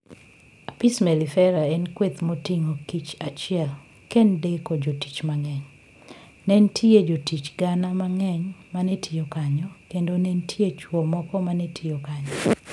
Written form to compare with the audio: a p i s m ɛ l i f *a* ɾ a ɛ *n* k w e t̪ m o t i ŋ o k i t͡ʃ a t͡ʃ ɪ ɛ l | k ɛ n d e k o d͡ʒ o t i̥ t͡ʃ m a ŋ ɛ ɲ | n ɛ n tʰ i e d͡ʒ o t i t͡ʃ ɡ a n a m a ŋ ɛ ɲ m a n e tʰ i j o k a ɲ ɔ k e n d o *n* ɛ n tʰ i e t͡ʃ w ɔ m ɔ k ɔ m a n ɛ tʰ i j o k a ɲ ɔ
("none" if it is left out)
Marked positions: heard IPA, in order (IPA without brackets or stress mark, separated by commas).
ɛ, n, n